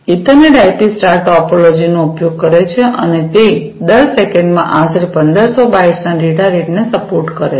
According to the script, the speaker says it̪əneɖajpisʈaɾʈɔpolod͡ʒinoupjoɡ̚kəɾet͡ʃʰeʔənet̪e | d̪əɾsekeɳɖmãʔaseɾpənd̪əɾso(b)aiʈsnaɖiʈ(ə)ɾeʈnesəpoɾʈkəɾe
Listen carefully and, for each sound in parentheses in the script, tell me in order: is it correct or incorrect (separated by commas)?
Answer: correct, incorrect